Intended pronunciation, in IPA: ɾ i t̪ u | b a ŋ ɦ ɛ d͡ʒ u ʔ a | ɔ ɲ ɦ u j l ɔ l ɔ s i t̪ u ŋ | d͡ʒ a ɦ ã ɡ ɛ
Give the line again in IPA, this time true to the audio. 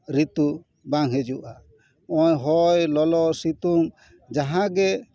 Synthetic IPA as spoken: ɾ i t̪ u | b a ŋ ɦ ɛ d͡ʒ u ʔ a | ɔ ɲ ɦ ɔ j l ɔ l ɔ s i t̪ u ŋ | d͡ʒ a ɦ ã ɡ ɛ